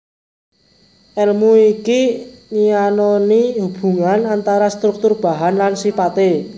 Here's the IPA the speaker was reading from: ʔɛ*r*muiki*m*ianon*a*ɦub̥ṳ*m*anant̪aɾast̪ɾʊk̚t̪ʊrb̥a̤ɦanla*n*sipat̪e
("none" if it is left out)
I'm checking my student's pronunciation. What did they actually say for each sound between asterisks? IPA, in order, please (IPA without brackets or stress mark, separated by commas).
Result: l, n, i, ŋ, n